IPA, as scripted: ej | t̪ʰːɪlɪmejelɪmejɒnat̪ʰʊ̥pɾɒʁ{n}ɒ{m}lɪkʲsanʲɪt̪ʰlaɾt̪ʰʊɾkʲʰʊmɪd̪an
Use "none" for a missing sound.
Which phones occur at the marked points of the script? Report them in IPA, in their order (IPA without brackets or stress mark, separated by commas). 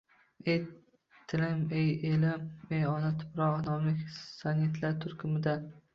n, m